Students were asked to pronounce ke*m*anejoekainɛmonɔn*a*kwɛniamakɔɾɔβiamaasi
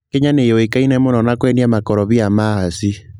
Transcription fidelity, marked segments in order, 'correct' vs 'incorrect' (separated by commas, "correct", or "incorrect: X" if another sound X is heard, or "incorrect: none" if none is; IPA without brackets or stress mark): incorrect: ɲ, correct